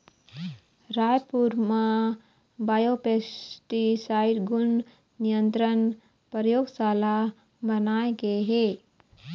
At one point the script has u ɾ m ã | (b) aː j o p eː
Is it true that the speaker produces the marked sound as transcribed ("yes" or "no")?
yes